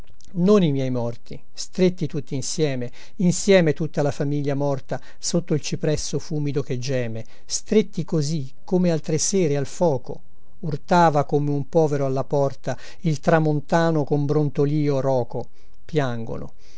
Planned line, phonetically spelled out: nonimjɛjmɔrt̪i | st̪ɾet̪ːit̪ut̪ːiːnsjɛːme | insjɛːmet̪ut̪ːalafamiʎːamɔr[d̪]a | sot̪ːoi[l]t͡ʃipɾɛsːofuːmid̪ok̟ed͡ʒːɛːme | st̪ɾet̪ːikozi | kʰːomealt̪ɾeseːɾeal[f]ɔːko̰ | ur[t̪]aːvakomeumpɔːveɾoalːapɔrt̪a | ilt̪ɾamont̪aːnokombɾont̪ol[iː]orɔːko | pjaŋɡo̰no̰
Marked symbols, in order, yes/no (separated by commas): no, yes, yes, yes, yes